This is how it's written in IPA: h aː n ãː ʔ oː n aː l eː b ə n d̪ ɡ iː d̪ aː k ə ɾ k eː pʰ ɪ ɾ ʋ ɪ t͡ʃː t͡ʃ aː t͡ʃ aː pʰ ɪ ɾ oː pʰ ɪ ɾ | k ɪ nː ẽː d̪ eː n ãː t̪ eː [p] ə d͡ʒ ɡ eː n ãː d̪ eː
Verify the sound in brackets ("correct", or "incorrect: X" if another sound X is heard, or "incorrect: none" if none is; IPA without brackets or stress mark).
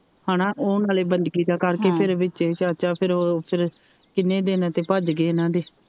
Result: correct